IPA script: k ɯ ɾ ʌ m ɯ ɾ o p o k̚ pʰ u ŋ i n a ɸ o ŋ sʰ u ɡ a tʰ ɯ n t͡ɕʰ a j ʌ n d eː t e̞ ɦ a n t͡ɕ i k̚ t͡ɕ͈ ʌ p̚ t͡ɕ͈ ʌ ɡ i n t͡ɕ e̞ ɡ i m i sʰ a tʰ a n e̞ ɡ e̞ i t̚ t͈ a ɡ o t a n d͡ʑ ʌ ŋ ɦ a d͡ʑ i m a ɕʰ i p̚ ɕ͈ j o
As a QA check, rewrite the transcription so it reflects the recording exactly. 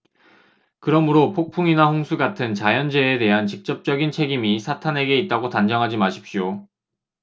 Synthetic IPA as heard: k ɯ ɾ ʌ m ɯ ɾ o pʰ o k̚ pʰ u ŋ i n a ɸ o ŋ sʰ u ɡ a tʰ ɯ n t͡ɕ a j ʌ n d͡ʑ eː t e̞ ɦ a n t͡ɕ i k̚ t͡ɕ͈ ʌ p̚ t͡ɕ͈ ʌ ɡ i n t͡ɕʰ e̞ ɡ i m i sʰ a tʰ a n e̞ ɡ e̞ i t̚ t͈ a ɡ o t a n d͡ʑ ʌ ŋ ɦ a d͡ʑ i m a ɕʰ i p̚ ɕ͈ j o